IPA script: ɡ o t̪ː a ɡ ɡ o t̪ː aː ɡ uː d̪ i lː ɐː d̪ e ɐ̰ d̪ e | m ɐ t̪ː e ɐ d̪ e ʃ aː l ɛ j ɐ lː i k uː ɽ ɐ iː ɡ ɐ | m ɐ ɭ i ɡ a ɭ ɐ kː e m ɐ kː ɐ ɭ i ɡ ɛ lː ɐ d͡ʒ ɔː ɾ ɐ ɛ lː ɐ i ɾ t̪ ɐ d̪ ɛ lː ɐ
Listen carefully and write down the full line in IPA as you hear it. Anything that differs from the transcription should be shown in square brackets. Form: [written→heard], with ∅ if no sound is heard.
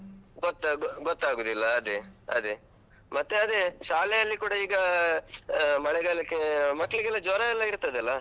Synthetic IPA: ɡ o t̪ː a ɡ ɡ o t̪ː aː ɡ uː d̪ i lː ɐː d̪ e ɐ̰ d̪ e | m ɐ t̪ː e ɐ d̪ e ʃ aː l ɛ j ɐ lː i k uː ɽ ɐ iː ɡ ɐ | m ɐ ɭ [i→ɛ] ɡ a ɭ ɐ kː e m ɐ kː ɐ ɭ i ɡ ɛ lː ɐ d͡ʒ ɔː ɾ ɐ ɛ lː ɐ i ɾ t̪ ɐ d̪ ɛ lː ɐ

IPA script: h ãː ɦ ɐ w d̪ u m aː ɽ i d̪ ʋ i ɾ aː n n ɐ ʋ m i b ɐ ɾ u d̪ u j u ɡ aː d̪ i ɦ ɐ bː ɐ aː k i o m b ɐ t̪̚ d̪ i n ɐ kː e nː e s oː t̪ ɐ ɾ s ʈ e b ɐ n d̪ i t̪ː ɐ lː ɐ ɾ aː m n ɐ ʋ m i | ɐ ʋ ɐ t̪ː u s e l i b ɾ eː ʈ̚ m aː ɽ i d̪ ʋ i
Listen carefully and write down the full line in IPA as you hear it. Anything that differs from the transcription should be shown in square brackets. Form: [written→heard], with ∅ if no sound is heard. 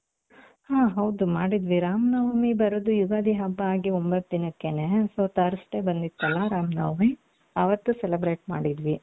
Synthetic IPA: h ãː ɦ ɐ w d̪ u m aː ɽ i d̪ ʋ i ɾ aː [n→m] n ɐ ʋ m i b ɐ ɾ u d̪ u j u ɡ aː d̪ i ɦ ɐ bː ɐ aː [k→ɡ] i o m b ɐ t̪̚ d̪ i n ɐ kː e [nː→n] e s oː t̪ ɐ ɾ s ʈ e b ɐ n d̪ i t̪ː ɐ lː ɐ ɾ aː m n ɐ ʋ m i | ɐ ʋ ɐ t̪ː u s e l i b ɾ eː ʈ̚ m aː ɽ i d̪ ʋ i

